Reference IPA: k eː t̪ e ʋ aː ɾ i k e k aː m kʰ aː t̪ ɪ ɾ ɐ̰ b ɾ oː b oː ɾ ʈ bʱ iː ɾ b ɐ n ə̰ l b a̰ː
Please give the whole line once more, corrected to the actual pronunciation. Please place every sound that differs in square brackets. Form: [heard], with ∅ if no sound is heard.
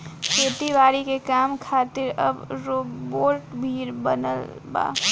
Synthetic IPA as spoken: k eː t̪ [i] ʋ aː ɾ i k e k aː m kʰ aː t̪ ɪ ɾ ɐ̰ b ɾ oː b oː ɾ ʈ bʱ iː ɾ b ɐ n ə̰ l b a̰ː